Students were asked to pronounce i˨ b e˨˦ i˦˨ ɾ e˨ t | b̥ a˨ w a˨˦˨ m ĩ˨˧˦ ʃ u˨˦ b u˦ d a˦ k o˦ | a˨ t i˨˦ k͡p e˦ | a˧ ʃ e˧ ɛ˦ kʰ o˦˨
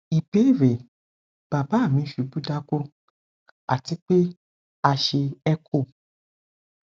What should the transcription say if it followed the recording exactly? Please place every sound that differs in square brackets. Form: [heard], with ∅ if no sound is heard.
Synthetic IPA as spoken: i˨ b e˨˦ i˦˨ ɾ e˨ [∅] | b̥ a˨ [b] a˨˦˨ m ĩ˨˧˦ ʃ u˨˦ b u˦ d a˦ k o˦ | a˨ t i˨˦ k͡p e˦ | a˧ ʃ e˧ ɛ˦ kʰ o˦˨